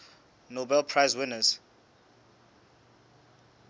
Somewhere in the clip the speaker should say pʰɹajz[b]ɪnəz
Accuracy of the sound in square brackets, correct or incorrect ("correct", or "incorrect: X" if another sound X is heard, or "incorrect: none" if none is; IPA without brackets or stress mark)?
incorrect: w